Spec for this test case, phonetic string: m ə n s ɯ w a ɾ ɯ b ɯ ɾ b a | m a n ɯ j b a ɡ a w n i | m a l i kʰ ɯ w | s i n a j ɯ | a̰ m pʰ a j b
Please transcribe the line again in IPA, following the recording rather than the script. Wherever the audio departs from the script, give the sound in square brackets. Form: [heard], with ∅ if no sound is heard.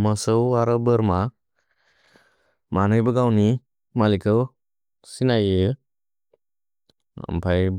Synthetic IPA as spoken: m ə [∅] s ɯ w a ɾ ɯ b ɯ ɾ [m] a | m a n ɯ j b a ɡ a w n i | m a l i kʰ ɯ w | s i n a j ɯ | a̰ m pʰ a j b

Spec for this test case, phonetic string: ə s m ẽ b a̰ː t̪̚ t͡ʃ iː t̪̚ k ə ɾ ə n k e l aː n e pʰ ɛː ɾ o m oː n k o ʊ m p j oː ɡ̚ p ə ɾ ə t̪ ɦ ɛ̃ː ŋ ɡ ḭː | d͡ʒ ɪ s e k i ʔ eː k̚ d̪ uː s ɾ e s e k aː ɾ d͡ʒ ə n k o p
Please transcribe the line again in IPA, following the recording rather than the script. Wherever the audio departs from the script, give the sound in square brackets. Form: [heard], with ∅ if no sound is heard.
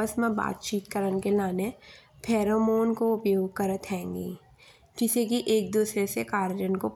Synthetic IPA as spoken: ə s m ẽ b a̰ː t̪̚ t͡ʃ iː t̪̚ k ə ɾ ə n k e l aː n e pʰ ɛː ɾ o m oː n k o ʊ [∅] p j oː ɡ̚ [k] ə ɾ ə t̪ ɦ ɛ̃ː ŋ ɡ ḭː | d͡ʒ ɪ s e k i ʔ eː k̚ d̪ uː s ɾ e s e k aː ɾ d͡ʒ ə n k o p

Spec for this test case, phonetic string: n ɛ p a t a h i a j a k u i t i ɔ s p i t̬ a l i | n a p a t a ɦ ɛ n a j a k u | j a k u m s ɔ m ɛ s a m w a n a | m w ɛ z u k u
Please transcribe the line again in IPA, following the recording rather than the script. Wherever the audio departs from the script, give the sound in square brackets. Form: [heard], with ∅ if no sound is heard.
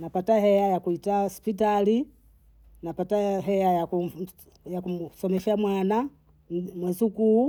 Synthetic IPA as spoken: n [a] p a t a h [ɛ] a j a k u i t [a] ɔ s p i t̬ a l i | n a p a t a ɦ ɛ [∅] a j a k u | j a k u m s ɔ m ɛ [ʃ] a m w a n a | m w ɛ z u k u

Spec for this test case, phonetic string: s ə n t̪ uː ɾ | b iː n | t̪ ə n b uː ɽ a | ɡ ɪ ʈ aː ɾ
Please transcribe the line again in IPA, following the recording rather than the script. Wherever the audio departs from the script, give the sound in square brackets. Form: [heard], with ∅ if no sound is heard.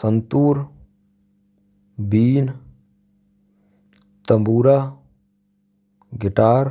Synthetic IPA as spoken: s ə n t̪ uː ɾ | b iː n | t̪ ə [m] b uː [ɾ] a | ɡ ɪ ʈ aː ɾ

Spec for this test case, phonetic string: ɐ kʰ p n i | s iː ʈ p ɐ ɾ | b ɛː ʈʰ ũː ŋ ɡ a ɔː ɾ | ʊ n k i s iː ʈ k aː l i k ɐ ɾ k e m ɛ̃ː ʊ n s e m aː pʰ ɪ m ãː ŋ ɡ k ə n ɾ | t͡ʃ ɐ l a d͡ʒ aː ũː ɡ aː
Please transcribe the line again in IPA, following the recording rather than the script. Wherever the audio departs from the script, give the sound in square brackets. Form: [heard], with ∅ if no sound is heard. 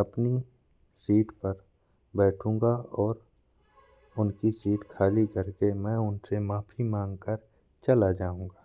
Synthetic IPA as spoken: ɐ [∅] p n i | s iː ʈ p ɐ ɾ | b ɛː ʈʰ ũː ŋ ɡ a ɔː ɾ | ʊ n k i s iː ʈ [kʰ] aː l i k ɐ ɾ k e m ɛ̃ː ʊ n s e m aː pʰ [i] m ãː ŋ ɡ k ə [∅] ɾ | t͡ʃ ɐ l a d͡ʒ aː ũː ɡ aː

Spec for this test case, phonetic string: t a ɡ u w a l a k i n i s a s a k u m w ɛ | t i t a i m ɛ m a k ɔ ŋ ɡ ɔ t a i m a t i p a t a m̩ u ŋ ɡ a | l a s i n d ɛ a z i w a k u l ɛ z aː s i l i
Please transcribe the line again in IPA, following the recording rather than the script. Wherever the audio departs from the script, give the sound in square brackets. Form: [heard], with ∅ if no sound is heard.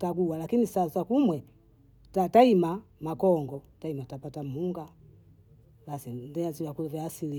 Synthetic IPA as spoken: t a ɡ u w a l a k i n i s a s a k u m w ɛ | t [a] t a i m [a] m a k ɔ ŋ ɡ ɔ t a i m a t [a] p a t a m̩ u ŋ ɡ a | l a s i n d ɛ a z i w a k u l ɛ [v] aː s i l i

